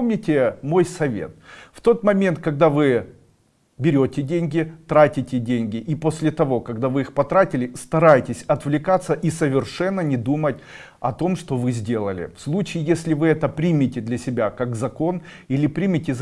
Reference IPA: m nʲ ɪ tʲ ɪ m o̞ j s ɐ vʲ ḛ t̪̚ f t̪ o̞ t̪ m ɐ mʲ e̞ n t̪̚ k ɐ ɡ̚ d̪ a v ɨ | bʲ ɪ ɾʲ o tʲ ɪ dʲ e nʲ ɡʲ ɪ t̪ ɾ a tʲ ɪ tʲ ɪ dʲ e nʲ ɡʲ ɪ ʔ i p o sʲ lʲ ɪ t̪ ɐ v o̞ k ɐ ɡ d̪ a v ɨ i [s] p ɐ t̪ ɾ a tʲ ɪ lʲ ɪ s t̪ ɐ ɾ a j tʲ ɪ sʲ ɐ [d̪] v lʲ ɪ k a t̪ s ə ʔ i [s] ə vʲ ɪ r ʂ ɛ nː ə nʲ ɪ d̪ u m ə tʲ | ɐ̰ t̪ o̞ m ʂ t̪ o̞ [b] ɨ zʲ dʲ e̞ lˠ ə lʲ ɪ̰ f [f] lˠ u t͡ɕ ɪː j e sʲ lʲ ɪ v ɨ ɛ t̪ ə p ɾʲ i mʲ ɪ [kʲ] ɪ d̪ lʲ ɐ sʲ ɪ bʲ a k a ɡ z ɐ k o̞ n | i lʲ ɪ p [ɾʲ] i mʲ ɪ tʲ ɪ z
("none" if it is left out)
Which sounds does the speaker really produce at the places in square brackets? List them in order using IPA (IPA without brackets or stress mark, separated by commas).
x, t̪, s, v, s, tʲ, ɾʲ